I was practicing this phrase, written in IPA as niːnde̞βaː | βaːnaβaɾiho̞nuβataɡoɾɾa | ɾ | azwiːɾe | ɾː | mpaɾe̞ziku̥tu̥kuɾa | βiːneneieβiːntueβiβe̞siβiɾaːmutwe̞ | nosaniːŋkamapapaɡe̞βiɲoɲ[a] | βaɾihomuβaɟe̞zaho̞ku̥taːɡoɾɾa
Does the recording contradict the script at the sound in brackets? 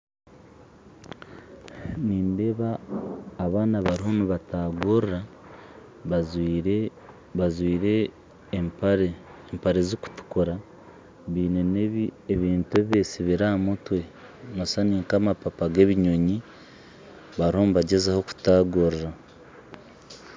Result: yes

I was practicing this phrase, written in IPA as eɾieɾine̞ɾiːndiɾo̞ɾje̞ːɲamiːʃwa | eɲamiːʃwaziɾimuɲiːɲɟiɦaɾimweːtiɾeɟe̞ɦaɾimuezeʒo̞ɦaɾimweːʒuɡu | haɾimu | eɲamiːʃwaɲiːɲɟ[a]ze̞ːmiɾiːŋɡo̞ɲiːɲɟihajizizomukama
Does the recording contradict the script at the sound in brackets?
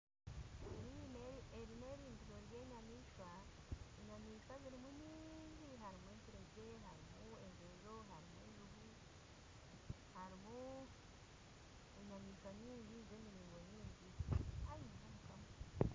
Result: yes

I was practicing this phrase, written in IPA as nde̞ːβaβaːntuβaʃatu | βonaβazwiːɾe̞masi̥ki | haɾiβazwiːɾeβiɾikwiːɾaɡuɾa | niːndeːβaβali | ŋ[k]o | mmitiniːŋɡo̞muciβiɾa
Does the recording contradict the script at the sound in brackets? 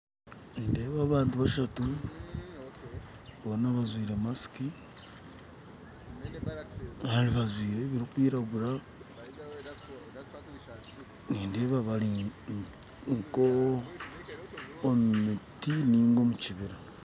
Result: no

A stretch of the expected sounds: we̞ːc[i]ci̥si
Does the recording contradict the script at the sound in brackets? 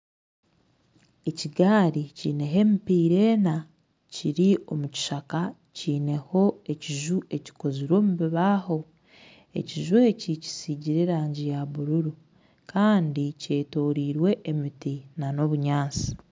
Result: no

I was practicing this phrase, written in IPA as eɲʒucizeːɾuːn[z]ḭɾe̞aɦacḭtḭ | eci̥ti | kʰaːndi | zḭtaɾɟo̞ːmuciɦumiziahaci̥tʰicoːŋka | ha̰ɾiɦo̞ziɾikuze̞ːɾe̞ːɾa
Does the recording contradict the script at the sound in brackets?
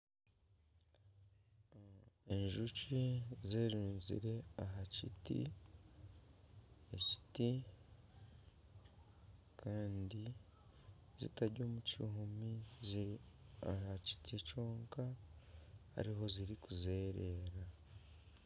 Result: no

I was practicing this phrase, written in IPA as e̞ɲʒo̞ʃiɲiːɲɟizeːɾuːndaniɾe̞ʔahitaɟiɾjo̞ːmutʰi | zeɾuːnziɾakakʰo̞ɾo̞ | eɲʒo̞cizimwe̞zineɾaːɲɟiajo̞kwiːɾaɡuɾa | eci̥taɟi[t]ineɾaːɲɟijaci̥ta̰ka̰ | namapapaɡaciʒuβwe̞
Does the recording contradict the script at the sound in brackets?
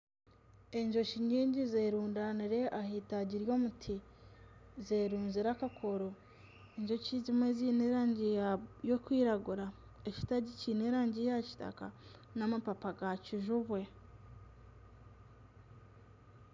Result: yes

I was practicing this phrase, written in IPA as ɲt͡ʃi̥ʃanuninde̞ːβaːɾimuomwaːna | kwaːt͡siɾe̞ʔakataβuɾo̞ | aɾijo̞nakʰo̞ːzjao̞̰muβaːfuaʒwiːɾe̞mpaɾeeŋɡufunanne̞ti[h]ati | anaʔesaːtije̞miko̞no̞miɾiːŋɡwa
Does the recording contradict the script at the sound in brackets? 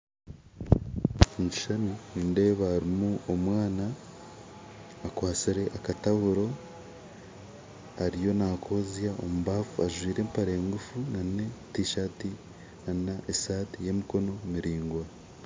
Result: yes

